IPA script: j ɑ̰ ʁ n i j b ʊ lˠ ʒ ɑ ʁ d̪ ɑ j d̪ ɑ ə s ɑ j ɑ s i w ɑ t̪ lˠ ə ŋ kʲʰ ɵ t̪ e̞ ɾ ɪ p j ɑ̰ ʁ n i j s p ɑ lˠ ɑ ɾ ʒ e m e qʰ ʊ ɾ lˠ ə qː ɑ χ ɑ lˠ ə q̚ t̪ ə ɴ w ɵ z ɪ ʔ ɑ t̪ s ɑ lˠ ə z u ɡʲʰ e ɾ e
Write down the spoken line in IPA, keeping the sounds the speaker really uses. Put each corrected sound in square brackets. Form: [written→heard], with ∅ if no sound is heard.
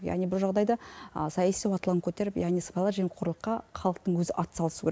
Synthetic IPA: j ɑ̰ ʁ n i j b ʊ lˠ ʒ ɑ ʁ d̪ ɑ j d̪ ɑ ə s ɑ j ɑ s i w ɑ t̪ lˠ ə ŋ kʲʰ ɵ t̪ e̞ ɾ ɪ p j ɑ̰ ʁ n i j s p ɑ lˠ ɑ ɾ ʒ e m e qʰ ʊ ɾ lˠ ə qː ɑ χ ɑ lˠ ə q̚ t̪ ə ɴ w ɵ z ɪ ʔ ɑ t̪ s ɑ lˠ ə [z→s] u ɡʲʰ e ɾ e